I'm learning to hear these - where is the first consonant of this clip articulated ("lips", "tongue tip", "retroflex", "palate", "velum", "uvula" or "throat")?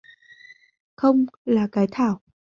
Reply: velum